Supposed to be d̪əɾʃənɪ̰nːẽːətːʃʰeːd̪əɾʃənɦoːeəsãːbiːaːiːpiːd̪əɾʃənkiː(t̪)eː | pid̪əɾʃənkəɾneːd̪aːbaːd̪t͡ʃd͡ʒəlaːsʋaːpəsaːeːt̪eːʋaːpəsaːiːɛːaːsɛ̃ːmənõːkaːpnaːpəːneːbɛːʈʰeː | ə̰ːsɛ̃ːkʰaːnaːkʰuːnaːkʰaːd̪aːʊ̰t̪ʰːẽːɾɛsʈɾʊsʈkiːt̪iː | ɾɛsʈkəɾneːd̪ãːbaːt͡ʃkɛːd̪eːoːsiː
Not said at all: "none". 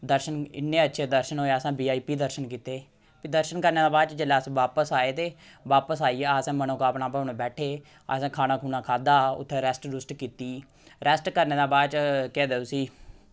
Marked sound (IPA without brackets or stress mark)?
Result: t̪